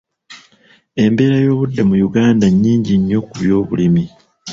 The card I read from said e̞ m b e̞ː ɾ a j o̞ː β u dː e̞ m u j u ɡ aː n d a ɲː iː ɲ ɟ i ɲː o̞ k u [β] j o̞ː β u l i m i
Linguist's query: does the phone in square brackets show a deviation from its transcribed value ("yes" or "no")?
no